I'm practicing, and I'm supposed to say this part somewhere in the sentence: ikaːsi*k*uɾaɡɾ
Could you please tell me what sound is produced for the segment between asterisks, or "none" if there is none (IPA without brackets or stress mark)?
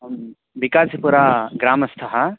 p